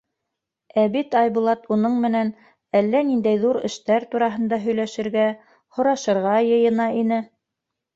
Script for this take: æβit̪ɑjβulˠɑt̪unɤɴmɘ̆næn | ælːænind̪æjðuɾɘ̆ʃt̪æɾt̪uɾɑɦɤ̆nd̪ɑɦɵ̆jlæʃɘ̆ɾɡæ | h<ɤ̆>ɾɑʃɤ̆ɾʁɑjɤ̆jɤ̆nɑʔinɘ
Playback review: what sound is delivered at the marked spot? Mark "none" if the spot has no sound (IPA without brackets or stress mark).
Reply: ŏ